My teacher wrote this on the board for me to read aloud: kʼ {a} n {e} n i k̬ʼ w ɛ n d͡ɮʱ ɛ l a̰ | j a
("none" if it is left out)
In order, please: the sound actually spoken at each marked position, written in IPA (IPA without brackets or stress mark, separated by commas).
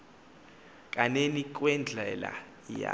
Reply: a, e